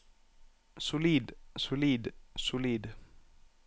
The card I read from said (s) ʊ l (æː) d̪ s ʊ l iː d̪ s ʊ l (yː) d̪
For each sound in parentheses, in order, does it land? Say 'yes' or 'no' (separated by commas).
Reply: yes, no, no